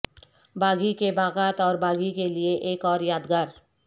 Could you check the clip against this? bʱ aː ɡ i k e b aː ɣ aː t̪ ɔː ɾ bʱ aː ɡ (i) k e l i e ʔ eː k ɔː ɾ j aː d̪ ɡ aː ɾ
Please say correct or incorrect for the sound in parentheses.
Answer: correct